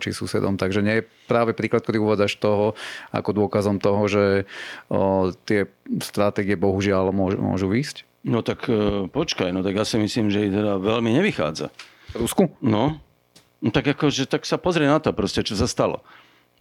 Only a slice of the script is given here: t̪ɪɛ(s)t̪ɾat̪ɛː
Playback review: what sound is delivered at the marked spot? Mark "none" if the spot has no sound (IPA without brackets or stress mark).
s